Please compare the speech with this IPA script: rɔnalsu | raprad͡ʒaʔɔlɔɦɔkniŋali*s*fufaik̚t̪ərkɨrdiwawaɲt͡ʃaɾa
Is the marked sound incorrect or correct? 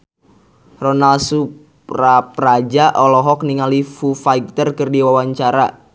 incorrect: none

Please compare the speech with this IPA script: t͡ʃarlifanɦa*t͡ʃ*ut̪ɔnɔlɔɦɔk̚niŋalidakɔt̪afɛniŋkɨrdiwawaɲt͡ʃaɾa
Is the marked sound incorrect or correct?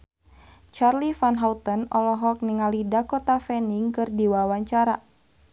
incorrect: none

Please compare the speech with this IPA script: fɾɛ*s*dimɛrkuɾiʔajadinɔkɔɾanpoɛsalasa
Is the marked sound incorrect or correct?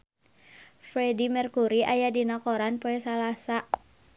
incorrect: none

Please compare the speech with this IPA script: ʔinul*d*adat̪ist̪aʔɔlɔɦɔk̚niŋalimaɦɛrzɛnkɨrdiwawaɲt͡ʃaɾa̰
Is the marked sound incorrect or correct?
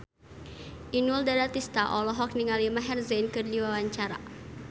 correct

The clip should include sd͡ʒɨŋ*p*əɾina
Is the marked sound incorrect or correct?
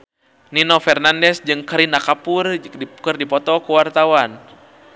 incorrect: k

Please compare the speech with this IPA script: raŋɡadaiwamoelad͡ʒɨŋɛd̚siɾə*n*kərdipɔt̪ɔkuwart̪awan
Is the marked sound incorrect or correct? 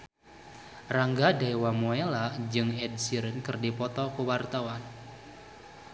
correct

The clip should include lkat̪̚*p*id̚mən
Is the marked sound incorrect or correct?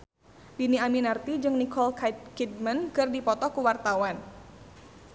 incorrect: k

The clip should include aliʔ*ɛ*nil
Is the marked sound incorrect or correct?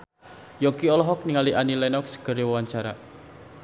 incorrect: a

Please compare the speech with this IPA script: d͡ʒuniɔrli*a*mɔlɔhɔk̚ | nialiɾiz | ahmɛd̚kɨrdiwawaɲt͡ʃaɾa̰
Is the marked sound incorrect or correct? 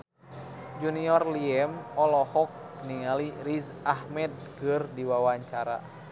incorrect: ɛ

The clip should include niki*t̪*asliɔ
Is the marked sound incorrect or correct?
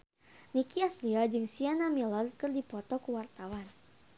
incorrect: none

